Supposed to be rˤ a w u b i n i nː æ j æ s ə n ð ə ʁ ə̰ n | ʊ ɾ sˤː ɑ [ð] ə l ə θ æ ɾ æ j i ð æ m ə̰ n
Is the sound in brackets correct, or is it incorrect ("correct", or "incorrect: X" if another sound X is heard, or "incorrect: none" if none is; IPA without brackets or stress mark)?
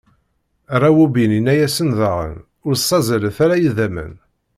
incorrect: z